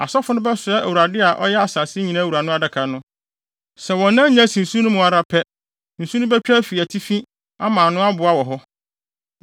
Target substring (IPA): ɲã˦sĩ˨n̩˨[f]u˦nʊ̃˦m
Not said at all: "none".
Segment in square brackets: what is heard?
s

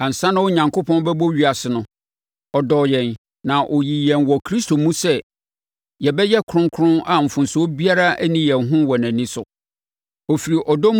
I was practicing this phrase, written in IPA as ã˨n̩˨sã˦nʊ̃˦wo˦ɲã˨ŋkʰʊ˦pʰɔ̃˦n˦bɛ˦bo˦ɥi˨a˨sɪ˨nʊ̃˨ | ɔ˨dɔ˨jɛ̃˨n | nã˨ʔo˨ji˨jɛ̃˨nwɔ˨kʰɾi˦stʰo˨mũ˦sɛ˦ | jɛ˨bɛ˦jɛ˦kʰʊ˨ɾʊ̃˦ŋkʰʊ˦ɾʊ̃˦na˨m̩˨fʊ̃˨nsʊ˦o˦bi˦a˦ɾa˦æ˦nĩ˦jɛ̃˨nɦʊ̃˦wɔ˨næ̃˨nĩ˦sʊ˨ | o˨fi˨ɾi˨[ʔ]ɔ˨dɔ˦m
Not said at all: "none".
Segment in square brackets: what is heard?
ʔ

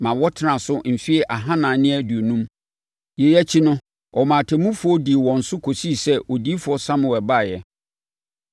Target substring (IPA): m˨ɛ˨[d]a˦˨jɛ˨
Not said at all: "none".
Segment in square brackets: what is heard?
b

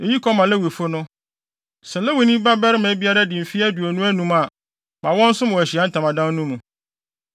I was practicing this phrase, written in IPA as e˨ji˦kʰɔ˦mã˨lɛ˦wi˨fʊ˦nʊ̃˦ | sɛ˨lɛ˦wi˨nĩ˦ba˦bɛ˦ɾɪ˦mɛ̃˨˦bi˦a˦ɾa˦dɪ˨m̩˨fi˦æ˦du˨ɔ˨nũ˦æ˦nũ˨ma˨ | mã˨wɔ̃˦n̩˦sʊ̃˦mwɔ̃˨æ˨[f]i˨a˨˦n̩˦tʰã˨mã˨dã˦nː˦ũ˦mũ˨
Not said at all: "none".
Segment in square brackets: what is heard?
ɕ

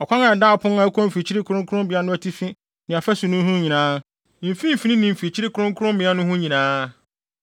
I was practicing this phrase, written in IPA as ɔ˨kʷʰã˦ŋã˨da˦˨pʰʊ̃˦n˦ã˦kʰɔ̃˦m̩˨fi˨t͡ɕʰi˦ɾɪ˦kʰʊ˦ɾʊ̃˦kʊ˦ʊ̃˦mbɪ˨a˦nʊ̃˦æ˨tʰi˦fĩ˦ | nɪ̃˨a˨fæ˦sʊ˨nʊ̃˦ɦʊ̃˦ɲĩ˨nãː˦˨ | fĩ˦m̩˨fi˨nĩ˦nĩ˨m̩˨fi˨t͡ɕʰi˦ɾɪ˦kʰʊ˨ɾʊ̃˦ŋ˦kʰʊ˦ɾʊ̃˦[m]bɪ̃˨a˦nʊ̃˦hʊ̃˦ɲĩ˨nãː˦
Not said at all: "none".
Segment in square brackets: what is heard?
m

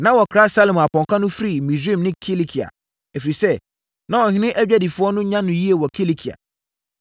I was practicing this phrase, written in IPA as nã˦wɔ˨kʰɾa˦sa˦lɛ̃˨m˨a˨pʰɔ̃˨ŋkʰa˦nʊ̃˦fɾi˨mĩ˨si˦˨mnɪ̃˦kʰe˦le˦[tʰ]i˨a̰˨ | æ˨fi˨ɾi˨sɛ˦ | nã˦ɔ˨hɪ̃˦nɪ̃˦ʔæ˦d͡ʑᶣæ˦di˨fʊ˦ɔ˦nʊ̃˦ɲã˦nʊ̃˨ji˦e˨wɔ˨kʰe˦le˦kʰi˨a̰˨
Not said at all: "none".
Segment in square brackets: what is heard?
kʰ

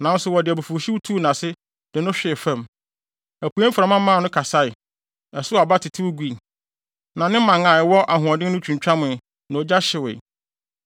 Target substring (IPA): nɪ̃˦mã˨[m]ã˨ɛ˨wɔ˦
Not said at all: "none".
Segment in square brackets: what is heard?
ŋ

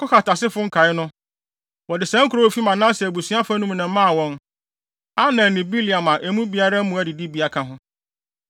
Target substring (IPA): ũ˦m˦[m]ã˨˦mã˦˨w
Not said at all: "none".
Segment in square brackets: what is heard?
n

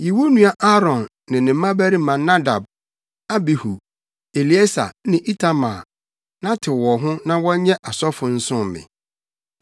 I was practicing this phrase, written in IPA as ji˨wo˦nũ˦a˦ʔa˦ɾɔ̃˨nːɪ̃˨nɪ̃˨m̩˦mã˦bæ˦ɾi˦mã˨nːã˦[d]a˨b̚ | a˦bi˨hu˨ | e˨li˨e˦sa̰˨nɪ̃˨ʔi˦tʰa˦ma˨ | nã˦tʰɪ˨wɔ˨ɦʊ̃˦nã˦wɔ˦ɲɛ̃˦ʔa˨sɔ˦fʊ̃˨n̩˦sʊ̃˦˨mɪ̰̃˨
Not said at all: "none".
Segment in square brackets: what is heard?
d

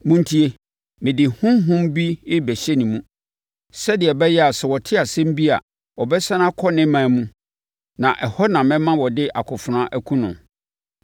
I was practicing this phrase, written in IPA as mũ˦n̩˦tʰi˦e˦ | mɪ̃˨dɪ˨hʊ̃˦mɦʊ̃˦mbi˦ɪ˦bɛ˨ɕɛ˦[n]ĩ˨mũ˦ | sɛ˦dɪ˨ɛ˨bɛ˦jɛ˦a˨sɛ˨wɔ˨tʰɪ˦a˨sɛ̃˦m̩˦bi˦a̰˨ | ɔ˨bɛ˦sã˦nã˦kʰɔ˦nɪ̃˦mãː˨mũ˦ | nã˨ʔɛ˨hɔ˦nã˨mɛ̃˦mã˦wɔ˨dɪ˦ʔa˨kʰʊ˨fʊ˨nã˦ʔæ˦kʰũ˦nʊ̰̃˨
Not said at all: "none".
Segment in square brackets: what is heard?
n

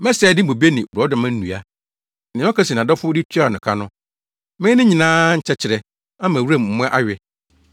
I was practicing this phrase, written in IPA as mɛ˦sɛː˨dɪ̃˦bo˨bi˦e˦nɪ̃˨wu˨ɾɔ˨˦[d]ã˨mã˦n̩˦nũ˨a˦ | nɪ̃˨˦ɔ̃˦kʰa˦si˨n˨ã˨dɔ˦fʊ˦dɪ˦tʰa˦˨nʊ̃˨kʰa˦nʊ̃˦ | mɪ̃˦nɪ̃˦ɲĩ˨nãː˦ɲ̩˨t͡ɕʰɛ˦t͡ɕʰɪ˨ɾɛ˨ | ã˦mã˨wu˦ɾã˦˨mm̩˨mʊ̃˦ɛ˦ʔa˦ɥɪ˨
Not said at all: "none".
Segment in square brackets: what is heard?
d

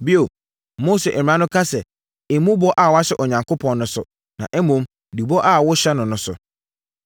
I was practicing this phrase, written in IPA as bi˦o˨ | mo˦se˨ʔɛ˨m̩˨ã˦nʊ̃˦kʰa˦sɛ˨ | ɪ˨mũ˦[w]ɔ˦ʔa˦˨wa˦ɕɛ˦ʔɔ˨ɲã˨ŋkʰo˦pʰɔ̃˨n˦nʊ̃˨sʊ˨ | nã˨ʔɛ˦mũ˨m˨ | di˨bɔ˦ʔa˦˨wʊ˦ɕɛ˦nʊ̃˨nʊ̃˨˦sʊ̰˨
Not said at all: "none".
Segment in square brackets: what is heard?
b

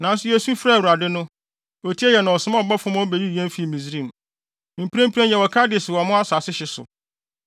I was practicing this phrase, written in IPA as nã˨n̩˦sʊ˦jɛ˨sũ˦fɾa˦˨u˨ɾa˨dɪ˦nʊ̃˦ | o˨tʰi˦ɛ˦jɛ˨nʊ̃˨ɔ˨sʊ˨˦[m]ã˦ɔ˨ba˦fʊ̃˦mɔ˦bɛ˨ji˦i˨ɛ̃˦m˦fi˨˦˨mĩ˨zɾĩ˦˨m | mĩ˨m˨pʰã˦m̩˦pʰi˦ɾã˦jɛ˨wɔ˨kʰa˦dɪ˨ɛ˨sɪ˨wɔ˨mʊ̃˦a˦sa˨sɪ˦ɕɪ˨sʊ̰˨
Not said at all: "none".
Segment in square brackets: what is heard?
m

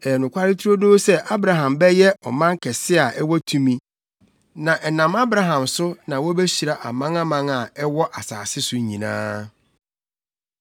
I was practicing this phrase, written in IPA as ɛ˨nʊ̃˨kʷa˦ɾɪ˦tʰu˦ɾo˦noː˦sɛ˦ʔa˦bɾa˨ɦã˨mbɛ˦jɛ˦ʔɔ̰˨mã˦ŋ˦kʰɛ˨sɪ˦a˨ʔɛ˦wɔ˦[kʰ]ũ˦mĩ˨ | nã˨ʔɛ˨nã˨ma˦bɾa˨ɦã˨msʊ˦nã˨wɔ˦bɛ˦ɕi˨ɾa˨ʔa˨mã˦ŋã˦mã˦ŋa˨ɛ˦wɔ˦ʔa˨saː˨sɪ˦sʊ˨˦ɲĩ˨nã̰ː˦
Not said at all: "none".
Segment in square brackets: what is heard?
tʰ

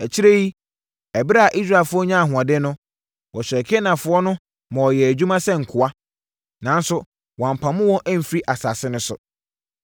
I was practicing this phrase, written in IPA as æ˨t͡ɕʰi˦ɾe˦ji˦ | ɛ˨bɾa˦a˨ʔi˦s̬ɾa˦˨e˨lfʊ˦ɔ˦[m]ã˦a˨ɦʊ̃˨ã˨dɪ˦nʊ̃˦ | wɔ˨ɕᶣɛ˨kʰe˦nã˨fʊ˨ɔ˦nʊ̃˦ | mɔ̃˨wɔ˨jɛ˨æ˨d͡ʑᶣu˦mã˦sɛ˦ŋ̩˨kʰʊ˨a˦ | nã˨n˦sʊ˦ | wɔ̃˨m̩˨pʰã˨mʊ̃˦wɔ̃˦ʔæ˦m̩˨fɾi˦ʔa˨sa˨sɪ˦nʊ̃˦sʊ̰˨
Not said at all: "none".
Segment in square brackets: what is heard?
ɲ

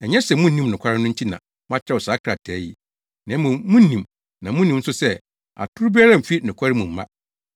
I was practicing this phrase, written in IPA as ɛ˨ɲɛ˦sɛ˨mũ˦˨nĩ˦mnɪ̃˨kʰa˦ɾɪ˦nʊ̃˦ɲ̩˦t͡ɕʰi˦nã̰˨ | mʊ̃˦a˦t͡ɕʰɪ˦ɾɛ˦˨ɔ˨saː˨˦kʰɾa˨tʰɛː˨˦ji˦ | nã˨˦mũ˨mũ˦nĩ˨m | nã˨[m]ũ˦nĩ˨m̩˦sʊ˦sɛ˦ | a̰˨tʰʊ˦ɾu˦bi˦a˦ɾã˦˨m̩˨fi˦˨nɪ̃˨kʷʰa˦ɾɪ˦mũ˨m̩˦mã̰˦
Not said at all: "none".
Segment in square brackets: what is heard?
m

